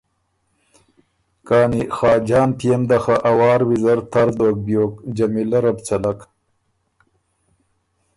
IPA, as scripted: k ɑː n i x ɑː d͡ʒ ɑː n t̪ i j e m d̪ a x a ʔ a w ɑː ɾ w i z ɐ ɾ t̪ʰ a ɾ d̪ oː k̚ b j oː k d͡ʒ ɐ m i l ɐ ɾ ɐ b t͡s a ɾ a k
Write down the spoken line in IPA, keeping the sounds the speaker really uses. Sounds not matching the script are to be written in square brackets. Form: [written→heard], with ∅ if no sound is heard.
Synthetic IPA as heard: k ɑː n i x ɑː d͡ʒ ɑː n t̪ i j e m d̪ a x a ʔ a w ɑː ɾ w i z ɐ ɾ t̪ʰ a ɾ d̪ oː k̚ b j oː k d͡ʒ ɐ m i l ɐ ɾ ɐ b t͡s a [ɾ→l] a k